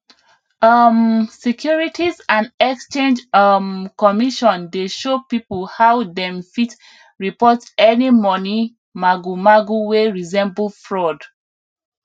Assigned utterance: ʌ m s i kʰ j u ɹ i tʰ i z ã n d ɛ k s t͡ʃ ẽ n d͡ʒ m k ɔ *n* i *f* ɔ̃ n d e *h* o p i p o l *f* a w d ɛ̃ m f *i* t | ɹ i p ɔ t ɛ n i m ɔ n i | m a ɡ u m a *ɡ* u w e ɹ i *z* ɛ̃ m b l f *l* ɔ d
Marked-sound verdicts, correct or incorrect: incorrect, incorrect, incorrect, incorrect, correct, correct, correct, incorrect

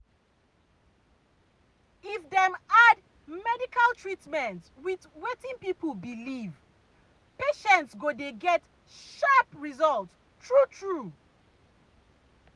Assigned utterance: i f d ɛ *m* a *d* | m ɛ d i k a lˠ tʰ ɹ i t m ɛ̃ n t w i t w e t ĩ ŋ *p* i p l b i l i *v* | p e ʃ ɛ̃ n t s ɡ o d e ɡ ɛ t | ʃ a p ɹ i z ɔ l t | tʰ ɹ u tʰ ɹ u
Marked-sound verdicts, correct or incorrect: correct, correct, correct, correct

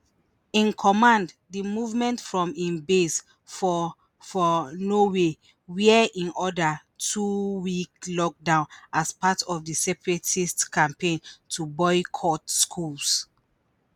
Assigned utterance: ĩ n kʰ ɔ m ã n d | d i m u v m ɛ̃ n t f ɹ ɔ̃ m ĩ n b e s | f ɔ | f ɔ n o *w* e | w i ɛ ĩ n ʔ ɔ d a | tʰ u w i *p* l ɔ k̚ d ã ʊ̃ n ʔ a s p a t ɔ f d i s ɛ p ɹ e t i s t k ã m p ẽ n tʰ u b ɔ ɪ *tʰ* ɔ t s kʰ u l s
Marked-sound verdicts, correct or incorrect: correct, incorrect, incorrect

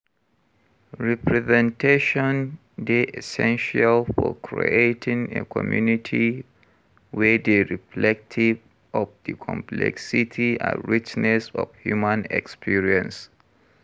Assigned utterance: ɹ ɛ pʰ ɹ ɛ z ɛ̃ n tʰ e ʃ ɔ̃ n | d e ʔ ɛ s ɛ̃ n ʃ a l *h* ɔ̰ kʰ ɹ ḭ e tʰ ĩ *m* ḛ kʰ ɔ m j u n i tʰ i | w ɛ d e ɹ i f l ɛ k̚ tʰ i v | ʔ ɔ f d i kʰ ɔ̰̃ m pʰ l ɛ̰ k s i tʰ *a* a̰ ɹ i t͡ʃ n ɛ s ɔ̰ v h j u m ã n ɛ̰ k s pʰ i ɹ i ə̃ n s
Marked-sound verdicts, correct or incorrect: incorrect, incorrect, incorrect

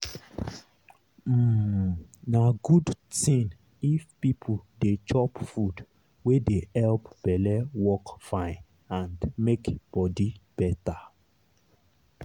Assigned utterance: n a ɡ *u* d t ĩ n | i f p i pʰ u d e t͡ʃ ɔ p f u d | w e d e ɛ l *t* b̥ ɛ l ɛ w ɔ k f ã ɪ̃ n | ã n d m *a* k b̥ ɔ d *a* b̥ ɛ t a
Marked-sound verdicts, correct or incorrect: correct, incorrect, incorrect, incorrect

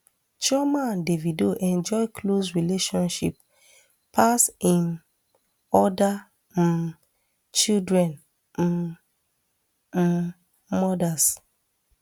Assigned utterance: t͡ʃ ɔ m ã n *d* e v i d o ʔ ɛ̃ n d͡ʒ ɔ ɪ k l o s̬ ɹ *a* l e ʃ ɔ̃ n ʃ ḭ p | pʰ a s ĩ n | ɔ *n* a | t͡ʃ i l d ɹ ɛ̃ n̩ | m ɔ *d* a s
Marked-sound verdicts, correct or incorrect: correct, incorrect, incorrect, correct

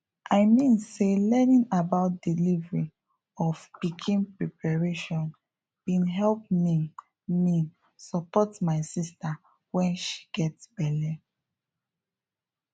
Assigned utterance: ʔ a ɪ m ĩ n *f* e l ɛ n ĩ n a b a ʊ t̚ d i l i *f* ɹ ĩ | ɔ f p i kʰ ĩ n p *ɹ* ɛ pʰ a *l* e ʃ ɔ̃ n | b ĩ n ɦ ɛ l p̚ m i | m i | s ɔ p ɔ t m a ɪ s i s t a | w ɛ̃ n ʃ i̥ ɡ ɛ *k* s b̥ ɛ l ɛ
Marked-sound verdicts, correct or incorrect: incorrect, incorrect, correct, incorrect, incorrect

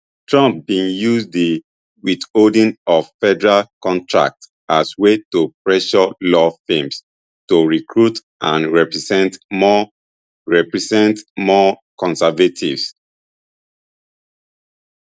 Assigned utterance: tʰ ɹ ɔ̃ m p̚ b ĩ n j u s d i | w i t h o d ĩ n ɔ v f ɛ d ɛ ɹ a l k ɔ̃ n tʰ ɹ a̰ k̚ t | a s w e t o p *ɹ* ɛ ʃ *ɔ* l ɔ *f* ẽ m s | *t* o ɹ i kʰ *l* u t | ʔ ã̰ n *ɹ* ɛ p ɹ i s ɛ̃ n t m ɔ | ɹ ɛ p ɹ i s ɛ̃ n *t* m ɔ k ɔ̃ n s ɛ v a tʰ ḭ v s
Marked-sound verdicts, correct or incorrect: correct, correct, correct, correct, incorrect, correct, correct

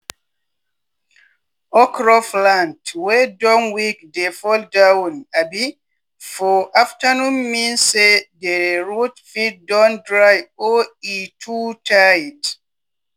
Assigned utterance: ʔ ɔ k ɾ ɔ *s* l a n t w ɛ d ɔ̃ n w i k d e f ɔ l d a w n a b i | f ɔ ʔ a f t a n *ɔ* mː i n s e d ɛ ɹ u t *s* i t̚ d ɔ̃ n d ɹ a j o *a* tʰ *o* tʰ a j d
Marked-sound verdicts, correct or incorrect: incorrect, incorrect, incorrect, incorrect, incorrect

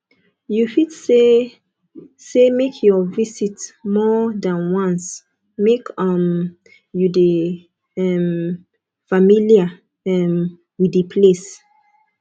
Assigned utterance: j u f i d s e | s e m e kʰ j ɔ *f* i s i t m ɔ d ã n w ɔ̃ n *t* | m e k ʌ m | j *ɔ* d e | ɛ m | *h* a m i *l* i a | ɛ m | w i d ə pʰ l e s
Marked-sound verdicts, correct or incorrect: incorrect, incorrect, incorrect, incorrect, correct

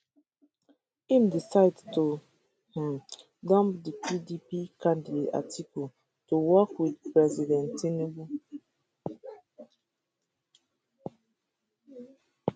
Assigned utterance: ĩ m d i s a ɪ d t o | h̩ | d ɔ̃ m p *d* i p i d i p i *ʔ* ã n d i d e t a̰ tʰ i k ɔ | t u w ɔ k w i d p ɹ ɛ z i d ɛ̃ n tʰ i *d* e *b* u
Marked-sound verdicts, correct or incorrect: correct, incorrect, incorrect, correct

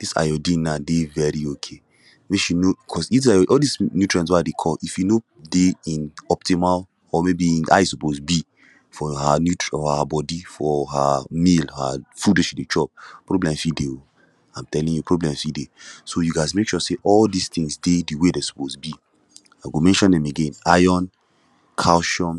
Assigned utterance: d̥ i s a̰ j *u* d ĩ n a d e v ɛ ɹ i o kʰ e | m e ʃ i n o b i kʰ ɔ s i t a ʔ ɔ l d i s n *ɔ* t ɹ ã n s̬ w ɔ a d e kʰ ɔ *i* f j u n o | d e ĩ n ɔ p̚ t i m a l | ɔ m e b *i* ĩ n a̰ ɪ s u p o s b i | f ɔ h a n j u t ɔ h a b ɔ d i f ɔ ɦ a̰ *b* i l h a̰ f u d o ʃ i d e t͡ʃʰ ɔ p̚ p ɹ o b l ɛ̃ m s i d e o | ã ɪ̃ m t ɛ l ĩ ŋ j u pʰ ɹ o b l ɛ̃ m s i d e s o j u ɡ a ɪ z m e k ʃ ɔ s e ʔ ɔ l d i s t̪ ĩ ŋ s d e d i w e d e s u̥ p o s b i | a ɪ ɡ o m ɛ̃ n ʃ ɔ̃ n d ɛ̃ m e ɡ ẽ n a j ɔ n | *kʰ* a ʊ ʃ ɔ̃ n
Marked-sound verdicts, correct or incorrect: incorrect, incorrect, correct, correct, incorrect, correct

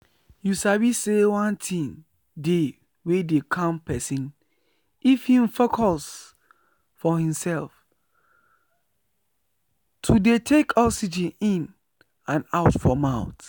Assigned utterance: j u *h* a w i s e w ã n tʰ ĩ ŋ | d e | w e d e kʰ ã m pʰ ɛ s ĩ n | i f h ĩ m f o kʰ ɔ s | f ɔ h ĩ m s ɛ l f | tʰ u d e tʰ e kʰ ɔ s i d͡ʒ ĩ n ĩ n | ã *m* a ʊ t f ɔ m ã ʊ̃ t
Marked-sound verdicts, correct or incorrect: incorrect, incorrect

